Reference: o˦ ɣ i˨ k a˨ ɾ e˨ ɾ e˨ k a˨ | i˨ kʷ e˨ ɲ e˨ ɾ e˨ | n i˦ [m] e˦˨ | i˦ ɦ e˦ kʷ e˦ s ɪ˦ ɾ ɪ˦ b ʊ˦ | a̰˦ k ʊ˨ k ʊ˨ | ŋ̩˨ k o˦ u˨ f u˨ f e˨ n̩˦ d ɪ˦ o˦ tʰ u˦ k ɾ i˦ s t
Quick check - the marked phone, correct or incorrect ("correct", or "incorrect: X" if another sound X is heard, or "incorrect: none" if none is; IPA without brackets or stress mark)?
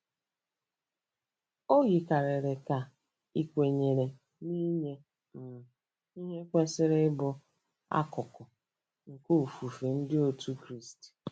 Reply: incorrect: ɲ